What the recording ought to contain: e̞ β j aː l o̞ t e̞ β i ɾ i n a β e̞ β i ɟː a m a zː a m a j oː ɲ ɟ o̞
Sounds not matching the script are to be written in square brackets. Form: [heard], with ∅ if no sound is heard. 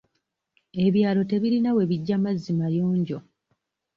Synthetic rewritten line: e̞ β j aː l o̞ t e̞ β i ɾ i n a [w] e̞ β i ɟː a m a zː [i] m a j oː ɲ ɟ o̞